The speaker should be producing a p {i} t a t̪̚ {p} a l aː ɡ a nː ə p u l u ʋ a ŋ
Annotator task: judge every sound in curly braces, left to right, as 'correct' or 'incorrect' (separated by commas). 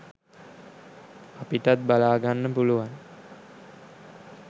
correct, incorrect